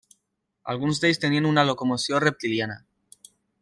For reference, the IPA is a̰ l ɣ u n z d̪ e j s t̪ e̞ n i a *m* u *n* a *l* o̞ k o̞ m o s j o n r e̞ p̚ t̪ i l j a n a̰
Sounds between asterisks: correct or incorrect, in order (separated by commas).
incorrect, correct, correct